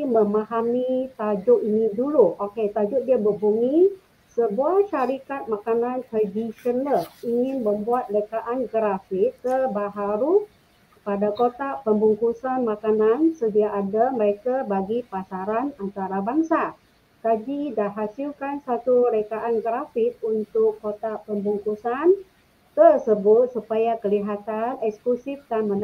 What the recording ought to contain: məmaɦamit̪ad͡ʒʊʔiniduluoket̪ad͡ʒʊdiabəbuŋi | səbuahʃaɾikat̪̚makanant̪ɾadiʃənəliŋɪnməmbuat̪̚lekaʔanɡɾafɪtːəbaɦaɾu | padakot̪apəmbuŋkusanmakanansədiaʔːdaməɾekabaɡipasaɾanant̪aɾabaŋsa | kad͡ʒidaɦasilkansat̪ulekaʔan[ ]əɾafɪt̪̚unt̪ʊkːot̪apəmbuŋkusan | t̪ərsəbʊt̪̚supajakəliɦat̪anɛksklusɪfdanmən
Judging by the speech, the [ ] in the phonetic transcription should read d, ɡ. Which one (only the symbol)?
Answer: ɡ